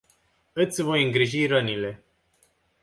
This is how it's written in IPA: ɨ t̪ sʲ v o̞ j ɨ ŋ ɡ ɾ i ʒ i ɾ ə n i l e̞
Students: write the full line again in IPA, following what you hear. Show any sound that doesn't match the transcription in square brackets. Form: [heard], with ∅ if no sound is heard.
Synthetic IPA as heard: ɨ t̪ sʲ v o̞ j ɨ ŋ ɡ ɾ i ʒ i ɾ ə n i l e̞